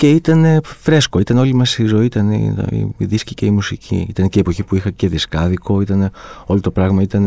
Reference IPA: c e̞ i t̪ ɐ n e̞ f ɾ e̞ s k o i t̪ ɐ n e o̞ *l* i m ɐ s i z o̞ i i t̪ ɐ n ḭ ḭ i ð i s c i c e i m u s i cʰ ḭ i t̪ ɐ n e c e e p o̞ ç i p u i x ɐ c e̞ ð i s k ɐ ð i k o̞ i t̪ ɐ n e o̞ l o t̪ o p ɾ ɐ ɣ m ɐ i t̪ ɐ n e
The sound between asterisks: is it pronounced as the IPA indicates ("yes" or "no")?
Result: yes